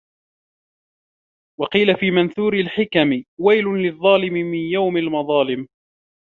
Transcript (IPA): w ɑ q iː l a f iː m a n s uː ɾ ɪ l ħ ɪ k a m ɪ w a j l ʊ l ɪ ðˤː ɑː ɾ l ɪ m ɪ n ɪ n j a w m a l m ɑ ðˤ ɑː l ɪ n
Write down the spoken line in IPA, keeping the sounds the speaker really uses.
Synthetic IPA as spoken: w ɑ q iː l a f iː m a n θ uː ɾ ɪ l ħ ɪ k a m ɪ w a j l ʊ l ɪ ðˤː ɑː l ɪ m ɪ m ɪ n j a w m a l m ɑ ðˤ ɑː l ɪ m

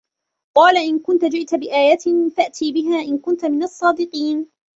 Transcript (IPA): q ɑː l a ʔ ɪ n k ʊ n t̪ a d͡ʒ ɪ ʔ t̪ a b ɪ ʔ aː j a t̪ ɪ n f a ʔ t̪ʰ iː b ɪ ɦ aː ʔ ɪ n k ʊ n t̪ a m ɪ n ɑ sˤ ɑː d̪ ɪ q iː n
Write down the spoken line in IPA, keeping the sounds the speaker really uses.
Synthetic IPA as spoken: q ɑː l a ʔ ɪ n k ʊ n t̪ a d͡ʒ ɪ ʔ t̪ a b ɪ ʔ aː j a t̪ ɪ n f a ʔ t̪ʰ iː b ɪ ɦ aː ʔ ɪ n k ʊ n t̪ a m ɪ n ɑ sˤː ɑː d̪ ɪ q iː n

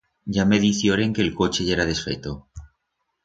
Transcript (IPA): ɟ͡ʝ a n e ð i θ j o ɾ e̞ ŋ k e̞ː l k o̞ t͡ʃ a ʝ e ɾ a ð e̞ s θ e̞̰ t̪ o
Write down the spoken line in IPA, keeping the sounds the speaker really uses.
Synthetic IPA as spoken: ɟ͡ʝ a m e ð i θ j o ɾ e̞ ŋ k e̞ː l k o̞ t͡ʃ e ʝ e ɾ a ð e̞ s f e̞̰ t̪ o

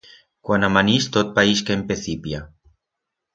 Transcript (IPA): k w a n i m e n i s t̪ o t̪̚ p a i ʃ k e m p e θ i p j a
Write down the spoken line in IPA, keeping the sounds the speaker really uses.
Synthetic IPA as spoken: k w a n a m a n i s t̪ o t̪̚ p a i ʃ k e m p e θ i p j a

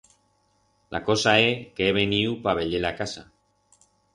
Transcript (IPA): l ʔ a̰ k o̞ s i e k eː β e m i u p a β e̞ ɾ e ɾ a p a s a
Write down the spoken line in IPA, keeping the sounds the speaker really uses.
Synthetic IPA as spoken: l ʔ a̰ k o̞ s a e k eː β e n i u p a β e̞ ʎ e l a k a s a

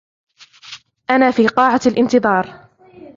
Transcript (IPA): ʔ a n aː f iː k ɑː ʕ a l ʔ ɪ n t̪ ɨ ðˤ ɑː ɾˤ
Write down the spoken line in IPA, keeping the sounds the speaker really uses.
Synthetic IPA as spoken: ʔ a n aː f iː q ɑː ʕ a l ʔ ɪ n t̪ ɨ ðˤ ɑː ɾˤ

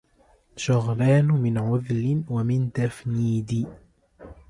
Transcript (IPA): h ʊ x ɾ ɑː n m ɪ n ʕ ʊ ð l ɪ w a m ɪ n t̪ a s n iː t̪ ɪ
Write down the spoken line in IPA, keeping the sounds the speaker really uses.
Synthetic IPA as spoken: ʃ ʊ ɣ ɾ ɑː n m ɪ n ʕ ʊ ð l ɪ w a m ɪ n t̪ a f n iː d̪ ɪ

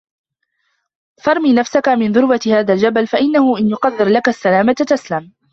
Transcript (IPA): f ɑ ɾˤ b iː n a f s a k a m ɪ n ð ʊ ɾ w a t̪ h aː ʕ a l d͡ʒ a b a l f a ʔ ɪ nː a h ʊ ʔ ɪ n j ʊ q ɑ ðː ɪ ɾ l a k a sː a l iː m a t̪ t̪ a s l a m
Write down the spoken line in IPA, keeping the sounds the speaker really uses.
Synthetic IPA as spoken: f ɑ ɾˤ m iː n a f s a k a m ɪ n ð ʊ ɾ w a t̪ h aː ð a l d͡ʒ a b a l f a ʔ ɪ nː a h ʊ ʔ ɪ n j ʊ q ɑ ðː ɪ ɾ l a k a sː a l aː m a t̪ t̪ a s l a m

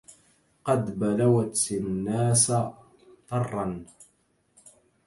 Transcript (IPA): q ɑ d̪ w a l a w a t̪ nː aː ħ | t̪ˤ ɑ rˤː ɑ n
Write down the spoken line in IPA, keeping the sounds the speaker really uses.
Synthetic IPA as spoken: q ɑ d̪ b a l a w a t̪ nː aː s | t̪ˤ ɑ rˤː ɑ n

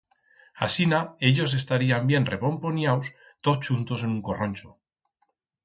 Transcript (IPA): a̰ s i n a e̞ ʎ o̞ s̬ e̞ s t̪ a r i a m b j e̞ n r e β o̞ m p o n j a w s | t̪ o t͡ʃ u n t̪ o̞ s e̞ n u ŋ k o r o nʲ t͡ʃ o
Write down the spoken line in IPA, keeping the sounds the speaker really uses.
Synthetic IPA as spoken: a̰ s i n a e̞ ʎ o̞ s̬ e̞ s t̪ a ɾ i a m b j e̞ n r e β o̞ m p o n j a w s | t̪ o t͡ʃ u n t̪ o̞ s e̞ n u ŋ k o r o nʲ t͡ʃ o

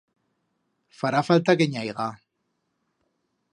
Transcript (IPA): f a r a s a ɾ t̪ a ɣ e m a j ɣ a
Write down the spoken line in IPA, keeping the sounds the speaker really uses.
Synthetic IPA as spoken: f a ɾ a f a l t̪ a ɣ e ɲ a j ɣ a

